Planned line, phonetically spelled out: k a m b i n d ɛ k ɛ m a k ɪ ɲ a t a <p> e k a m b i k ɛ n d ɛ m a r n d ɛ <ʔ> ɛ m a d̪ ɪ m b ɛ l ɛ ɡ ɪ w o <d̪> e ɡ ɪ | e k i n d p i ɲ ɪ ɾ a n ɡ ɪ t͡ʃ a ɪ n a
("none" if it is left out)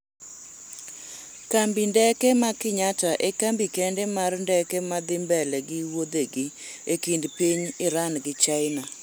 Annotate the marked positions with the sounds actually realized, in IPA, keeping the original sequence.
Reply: ʔ, k, d̪

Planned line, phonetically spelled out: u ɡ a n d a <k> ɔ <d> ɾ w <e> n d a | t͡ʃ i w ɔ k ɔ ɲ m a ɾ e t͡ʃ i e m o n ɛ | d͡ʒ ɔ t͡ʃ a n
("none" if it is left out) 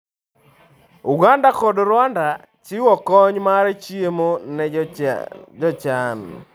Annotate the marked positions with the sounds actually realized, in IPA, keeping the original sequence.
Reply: k, d, a

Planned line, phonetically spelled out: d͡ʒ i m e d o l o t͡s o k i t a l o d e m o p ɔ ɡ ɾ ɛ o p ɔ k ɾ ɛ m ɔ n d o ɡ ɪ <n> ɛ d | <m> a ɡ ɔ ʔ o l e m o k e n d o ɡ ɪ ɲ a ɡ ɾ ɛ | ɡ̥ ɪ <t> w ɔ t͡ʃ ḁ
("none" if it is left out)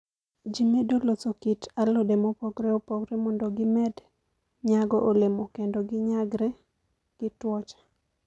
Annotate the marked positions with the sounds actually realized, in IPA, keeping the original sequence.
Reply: m, ɲ, t

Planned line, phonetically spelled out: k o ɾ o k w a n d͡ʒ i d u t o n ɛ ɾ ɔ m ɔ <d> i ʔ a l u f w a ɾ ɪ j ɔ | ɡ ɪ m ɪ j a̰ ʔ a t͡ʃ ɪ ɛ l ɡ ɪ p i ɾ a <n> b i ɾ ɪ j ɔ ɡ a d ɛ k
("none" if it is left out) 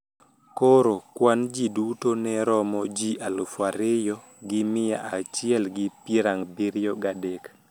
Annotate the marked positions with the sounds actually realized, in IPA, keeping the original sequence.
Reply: d͡ʒ, ŋ

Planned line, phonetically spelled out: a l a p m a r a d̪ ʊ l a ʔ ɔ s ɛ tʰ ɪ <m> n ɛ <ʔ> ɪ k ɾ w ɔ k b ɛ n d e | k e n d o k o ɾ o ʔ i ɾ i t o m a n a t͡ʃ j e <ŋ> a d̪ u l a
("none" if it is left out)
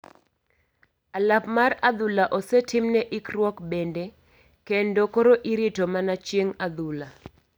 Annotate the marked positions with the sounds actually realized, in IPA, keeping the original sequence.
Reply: m, ʔ, ŋ

